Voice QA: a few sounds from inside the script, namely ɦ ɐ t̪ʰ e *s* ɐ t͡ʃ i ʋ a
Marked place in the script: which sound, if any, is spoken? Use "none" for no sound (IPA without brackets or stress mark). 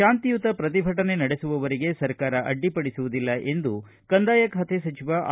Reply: s